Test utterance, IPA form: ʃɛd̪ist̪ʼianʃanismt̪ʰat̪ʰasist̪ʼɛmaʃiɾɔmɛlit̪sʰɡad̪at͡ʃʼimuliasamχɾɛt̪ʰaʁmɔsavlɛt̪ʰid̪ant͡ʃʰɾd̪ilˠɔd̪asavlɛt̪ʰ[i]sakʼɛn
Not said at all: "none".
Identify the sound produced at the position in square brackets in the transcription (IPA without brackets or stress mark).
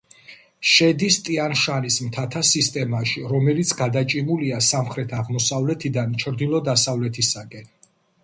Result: i